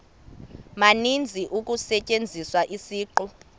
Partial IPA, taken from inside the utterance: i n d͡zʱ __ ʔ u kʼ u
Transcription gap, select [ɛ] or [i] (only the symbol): i